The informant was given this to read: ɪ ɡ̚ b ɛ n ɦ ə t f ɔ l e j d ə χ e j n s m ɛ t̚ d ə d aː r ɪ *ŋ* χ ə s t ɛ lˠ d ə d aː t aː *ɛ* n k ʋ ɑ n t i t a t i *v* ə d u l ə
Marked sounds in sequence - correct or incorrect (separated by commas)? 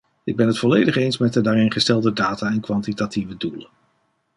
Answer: incorrect, correct, correct